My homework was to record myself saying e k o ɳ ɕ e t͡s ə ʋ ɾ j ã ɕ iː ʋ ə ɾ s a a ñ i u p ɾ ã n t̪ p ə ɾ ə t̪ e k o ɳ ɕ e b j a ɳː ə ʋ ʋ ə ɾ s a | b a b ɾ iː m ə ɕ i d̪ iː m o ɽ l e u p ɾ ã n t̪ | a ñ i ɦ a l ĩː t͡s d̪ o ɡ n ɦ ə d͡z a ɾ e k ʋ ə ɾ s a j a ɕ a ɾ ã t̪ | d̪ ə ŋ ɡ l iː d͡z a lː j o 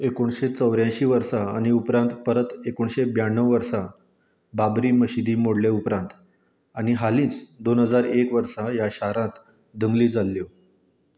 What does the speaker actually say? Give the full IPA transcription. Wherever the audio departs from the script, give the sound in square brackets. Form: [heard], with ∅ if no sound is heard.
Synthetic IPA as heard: e k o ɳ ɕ e t͡s ə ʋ ɾ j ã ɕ iː ʋ ə ɾ s a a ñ i u p ɾ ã n t̪ p ə ɾ ə t̪ e k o ɳ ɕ e b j a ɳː ə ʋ ʋ ə ɾ s a | b a b ɾ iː m ə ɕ i d̪ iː m o ɽ l e u p ɾ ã n t̪ | a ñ i ɦ a l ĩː t͡s d̪ o [∅] n ɦ ə d͡z a ɾ e k ʋ ə ɾ s a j a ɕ a ɾ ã t̪ | d̪ ə ŋ ɡ l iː d͡z a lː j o